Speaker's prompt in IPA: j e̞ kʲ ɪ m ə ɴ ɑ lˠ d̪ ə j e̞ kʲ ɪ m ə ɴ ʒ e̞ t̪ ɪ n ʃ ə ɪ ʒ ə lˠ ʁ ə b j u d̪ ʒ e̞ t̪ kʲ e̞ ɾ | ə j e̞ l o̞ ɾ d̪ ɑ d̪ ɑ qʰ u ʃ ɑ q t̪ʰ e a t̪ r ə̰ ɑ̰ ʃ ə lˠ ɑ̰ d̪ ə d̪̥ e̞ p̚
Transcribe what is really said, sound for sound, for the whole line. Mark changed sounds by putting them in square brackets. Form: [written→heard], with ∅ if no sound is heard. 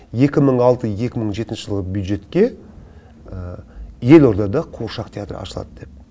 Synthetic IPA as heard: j e̞ kʲ ɪ m ə ɴ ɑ lˠ [d̪→t̪] ə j e̞ kʲ ɪ m ə ɴ ʒ e̞ t̪ ɪ n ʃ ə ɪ ʒ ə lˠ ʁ ə b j u d̪ ʒ e̞ t̪ kʲ e̞ [ɾ→∅] | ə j e̞ l o̞ ɾ d̪ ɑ d̪ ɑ qʰ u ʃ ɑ q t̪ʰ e a t̪ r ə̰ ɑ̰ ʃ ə lˠ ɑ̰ d̪ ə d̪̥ e̞ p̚